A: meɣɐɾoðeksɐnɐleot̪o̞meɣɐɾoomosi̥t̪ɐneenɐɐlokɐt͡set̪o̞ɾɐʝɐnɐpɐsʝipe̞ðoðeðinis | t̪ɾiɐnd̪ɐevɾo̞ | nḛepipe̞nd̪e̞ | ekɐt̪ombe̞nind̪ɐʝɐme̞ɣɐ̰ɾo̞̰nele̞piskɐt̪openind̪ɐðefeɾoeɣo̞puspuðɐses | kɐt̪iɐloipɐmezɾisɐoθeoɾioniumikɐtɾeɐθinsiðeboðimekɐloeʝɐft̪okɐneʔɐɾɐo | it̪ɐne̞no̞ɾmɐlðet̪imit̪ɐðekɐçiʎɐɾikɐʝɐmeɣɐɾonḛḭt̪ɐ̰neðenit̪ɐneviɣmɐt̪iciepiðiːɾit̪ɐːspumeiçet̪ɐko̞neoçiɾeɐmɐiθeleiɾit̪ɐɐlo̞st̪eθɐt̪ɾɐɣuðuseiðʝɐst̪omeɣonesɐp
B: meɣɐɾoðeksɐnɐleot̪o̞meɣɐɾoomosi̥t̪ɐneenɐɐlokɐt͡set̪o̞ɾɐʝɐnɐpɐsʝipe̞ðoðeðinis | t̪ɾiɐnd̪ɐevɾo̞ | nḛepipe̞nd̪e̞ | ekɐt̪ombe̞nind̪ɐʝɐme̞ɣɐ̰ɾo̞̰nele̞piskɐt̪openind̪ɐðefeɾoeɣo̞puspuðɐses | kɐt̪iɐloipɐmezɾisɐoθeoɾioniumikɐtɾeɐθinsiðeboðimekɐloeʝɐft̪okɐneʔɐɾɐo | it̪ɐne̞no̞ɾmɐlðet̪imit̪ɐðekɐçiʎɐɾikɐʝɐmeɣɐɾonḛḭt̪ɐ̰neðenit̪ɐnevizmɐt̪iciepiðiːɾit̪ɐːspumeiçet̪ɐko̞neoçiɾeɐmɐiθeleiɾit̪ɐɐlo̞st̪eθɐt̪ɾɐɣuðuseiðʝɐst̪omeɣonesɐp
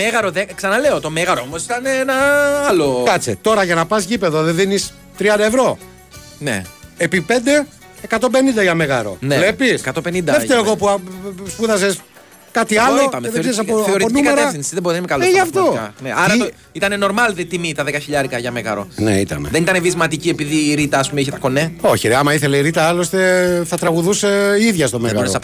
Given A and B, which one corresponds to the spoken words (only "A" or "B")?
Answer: B